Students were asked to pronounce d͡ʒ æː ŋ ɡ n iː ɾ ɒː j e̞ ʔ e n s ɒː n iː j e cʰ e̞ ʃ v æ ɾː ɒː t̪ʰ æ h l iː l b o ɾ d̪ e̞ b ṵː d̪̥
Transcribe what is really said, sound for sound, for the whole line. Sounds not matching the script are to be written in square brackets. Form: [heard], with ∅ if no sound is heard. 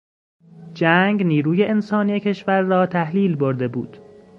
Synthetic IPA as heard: d͡ʒ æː ŋ ɡ n iː ɾ [uː] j e̞ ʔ e n s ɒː n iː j e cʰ e̞ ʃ v æ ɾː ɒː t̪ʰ æ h l iː l b o ɾ d̪ e̞ b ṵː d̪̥